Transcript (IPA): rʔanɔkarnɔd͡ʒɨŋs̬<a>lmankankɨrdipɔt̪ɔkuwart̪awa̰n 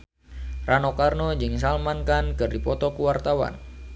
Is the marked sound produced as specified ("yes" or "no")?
yes